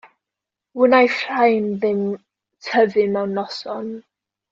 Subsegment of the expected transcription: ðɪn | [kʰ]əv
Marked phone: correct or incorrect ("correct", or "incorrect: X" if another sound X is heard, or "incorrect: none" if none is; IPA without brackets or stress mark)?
incorrect: tʰ